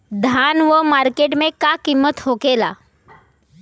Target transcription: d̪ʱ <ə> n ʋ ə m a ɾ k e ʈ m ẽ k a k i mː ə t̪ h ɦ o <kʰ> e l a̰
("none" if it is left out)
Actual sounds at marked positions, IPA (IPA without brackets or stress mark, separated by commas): a, k